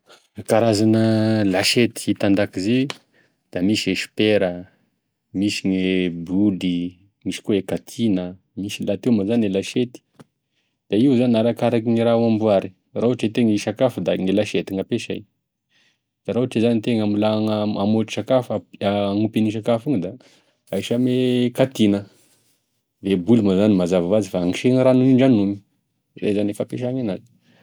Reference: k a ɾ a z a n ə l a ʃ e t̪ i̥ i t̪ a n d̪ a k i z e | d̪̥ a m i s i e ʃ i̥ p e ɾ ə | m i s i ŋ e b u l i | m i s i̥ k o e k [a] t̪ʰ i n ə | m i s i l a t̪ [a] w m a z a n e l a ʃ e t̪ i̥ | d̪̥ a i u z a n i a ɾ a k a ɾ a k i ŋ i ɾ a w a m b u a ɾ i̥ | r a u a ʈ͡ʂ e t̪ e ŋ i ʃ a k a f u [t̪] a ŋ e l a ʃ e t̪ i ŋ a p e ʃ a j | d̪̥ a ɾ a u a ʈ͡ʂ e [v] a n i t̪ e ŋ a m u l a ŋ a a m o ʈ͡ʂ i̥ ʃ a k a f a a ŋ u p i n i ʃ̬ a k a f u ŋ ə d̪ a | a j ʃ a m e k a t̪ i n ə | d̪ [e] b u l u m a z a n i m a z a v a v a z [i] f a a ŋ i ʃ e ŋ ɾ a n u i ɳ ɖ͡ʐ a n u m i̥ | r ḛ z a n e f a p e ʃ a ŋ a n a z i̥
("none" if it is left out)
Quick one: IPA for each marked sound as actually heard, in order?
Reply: a, e, d̪, z, e, i

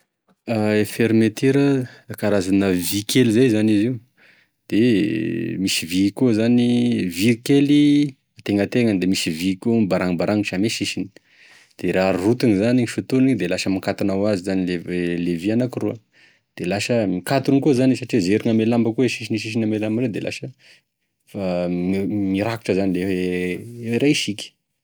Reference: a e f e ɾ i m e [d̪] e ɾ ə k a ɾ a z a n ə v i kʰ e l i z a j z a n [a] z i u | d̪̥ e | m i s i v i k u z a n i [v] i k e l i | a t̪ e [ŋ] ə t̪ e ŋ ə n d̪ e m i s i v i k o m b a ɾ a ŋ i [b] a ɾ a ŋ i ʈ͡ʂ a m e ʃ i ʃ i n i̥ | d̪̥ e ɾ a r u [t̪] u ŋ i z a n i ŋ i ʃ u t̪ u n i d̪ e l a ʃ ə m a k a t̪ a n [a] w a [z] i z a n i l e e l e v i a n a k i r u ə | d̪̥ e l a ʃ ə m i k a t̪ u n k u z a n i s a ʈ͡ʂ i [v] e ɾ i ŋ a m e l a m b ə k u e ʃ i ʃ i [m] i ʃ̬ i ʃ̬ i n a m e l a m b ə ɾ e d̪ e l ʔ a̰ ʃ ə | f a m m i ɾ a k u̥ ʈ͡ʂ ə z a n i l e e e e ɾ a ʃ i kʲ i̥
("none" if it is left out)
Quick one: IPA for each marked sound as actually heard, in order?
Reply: t̪, i, v, ŋ, b, t̪, a, z, z, n

